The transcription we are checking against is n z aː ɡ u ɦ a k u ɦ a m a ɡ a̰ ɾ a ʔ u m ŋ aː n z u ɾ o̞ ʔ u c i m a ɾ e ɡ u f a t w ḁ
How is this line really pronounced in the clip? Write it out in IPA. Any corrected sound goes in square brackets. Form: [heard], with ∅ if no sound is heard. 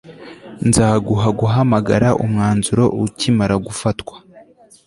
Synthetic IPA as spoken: n z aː ɡ u ɦ a [ɡ] u ɦ a m a ɡ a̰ ɾ a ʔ u m ŋ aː n z u ɾ o̞ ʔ u c i m a ɾ [a] ɡ u f a t w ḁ

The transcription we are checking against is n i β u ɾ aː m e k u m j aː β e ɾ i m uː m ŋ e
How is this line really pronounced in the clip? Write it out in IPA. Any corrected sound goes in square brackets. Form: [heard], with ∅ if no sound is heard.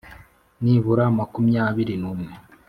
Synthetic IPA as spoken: n i β u ɾ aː m [a] k u m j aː β [i] ɾ i [n] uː m ŋ e

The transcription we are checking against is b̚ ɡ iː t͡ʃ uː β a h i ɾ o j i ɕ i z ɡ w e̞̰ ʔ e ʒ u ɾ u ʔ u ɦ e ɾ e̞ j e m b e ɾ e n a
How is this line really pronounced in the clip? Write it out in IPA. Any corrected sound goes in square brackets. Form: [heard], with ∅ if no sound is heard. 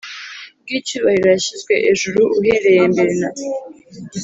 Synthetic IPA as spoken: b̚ ɡ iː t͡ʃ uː β a h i ɾ o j [a] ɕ i z ɡ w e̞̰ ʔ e ʒ u ɾ u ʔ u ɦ e ɾ e̞ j e m b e ɾ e n a

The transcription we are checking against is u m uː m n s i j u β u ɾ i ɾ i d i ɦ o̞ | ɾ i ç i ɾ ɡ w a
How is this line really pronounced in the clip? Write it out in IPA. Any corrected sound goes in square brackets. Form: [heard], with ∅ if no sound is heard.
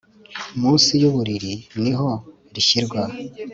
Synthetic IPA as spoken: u m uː [∅] n s i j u β u ɾ i ɾ i [n] i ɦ o̞ | ɾ i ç i ɾ ɡ w a

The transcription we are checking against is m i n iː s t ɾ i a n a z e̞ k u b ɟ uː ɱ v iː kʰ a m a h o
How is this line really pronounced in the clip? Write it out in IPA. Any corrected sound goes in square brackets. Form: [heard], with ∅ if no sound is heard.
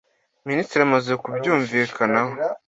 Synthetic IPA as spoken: m i n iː s t ɾ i a [m] a z e̞ k u b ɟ uː ɱ v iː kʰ a [n] a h o

